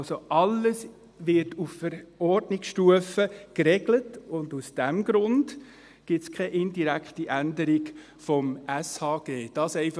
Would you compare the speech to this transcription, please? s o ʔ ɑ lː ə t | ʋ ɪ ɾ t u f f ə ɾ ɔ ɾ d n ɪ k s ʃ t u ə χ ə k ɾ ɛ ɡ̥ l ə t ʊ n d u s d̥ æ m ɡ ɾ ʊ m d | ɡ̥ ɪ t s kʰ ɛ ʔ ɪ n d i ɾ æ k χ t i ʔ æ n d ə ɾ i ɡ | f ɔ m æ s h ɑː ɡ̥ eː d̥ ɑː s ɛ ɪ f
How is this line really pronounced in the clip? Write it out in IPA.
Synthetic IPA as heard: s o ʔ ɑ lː ə s | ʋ ɪ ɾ t u f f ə ɾ ɔ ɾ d n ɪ k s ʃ t u ə f ə k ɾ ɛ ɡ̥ l ə t ʊ n d u s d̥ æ m ɡ ɾ ʊ n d | ɡ̥ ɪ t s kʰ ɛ ʔ ɪ n d i ɾ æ k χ t i ʔ æ n d ə ɾ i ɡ | f ɔ m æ s h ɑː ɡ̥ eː d̥ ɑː s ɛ ɪ f